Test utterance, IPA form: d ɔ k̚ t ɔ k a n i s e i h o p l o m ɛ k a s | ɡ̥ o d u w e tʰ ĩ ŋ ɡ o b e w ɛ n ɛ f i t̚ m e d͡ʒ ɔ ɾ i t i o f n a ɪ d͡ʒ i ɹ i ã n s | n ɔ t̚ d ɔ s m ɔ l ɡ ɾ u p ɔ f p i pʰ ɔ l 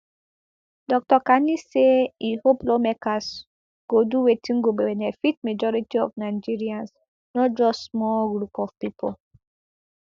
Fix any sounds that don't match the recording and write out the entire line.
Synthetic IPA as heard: d ɔ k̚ t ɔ k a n i s e i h o p l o m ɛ k a s | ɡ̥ o d u w e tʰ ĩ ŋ ɡ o b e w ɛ n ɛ f i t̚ m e d͡ʒ ɔ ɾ i t i ɔ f n a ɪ d͡ʒ i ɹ i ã n s | n ɔ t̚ d͡ʒ ɔ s m ɔ l ɡ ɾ u p ɔ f p i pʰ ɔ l